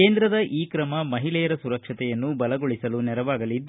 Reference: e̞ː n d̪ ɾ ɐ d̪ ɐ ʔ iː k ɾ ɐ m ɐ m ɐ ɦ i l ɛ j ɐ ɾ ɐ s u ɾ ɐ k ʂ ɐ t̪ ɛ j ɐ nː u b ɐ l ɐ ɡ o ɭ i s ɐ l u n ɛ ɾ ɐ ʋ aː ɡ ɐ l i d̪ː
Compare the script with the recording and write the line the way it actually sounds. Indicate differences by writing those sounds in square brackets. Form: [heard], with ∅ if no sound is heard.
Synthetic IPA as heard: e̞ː n d̪ ɾ ɐ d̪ ɐ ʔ iː k ɾ ɐ m ɐ m ɐ ɦ i l ɛ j ɐ ɾ ɐ s u ɾ ɐ k ʂ ɐ t̪ ɛ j ɐ nː u b ɐ l ɐ ɡ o ɭ i s ɐ l u n ɛ ɾ ɐ ʋ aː ɡ ɐ l i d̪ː